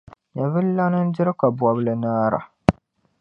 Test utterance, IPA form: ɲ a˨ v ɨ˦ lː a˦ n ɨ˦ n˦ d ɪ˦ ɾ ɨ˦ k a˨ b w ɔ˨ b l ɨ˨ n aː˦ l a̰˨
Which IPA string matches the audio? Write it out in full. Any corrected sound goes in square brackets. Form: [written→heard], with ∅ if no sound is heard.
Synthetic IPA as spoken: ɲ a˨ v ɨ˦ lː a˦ n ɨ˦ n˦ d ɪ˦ ɾ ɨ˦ k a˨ b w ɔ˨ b l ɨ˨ n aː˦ [l→ɾ] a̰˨